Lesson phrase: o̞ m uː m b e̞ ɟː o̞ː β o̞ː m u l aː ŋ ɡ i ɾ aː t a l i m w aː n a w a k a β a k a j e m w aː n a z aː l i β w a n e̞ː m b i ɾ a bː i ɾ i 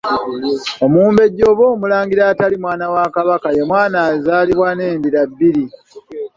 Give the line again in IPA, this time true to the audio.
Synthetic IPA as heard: o̞ m uː m b e̞ ɟː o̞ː β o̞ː m u l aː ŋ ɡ i ɾ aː t a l i m w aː n a w a k a β a k a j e m w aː n a z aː l i β w a n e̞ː m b i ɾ a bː i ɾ i